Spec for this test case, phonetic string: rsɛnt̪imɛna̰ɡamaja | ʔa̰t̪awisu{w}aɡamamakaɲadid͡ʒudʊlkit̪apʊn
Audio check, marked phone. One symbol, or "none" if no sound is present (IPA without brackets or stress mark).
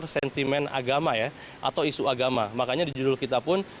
none